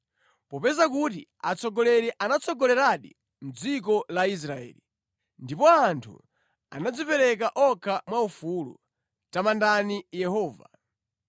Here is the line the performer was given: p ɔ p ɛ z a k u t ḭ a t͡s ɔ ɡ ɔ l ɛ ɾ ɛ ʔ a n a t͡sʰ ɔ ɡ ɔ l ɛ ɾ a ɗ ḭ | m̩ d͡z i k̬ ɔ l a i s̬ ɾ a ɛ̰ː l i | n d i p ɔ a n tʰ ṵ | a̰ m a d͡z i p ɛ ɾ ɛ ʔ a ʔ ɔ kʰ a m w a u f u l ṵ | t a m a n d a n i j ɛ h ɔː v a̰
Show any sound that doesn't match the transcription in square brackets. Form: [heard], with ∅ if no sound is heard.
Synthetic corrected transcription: p ɔ p ɛ z a k u t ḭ a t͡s ɔ ɡ ɔ l ɛ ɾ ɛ ʔ a n a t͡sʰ ɔ ɡ ɔ l ɛ ɾ a ɗ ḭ | m̩ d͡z i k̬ ɔ l a i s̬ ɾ a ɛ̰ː l i | n d i p ɔ a n tʰ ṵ | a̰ [n] a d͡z i p ɛ ɾ ɛ [k] a ʔ ɔ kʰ a m w a u f u l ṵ | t a m a n d a n i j ɛ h ɔː v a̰